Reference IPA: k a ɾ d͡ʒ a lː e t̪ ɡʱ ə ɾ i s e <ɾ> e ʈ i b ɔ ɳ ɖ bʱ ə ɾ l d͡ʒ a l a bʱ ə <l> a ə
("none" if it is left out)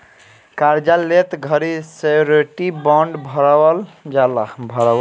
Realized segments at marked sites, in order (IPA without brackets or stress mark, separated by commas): ɾ, ɾ